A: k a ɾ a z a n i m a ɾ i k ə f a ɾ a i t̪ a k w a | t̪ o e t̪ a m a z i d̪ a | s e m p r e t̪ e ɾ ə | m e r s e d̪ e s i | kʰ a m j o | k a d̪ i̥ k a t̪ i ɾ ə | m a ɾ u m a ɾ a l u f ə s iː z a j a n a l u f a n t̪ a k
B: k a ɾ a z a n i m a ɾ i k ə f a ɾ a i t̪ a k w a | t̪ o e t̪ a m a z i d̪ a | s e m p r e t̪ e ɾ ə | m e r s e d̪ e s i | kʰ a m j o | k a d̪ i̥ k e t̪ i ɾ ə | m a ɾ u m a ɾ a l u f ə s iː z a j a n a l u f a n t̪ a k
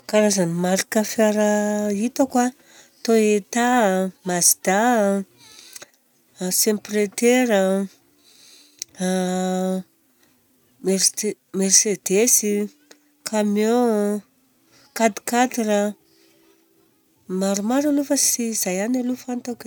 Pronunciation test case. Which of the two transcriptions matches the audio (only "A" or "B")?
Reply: A